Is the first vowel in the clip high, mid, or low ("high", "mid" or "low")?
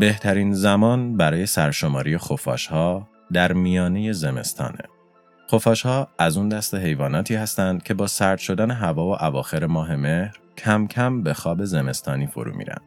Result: mid